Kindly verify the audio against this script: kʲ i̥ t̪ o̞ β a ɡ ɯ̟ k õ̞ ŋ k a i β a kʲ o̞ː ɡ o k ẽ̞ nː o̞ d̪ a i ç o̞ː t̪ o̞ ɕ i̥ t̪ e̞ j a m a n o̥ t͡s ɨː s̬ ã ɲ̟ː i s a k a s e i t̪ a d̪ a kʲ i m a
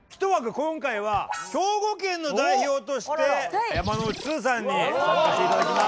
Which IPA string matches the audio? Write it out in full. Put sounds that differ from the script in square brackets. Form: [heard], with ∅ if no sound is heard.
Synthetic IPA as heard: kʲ i̥ t̪ o̞ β a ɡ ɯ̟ k õ̞ ŋ k a i β a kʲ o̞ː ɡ o k ẽ̞ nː o̞ d̪ a i ç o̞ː t̪ o̞ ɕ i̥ t̪ e̞ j a m a n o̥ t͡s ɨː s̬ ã ɲ̟ː i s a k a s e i t̪ a d̪ a kʲ i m a